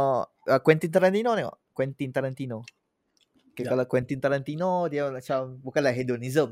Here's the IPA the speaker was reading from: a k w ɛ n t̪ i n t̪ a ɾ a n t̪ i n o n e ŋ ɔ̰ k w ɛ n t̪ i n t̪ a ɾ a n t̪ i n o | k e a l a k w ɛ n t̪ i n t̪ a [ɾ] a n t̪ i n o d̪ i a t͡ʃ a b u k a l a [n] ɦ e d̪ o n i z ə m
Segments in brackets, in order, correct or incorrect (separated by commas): correct, incorrect